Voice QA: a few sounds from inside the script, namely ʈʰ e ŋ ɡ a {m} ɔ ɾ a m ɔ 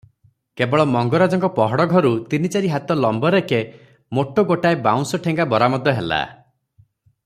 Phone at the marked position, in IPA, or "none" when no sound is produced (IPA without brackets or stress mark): b